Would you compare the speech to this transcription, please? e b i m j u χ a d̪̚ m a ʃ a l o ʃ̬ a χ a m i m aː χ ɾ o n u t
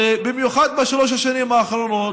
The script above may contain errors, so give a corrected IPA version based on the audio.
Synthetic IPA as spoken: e b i m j u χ a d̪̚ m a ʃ a l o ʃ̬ a ʃ a n i m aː χ ɾ o n o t